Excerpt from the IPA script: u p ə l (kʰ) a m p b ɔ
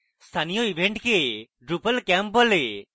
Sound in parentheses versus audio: incorrect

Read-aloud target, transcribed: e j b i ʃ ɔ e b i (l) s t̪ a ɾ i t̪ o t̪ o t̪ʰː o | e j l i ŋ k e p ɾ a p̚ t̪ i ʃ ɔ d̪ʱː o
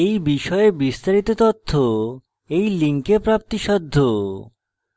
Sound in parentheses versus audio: incorrect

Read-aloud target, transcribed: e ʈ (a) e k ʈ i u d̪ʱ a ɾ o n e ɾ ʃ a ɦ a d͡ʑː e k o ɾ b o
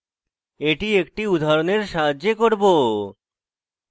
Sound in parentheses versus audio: incorrect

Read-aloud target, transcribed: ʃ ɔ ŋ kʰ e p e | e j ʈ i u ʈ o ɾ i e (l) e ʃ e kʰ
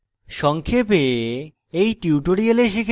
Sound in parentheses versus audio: correct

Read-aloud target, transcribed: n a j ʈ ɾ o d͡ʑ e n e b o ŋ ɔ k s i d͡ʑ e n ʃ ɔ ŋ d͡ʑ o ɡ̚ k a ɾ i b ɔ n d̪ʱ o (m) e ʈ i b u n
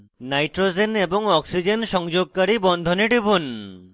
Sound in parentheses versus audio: incorrect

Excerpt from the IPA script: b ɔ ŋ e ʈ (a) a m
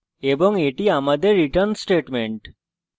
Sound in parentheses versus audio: incorrect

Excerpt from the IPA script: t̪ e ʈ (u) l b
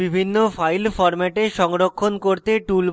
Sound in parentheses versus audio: correct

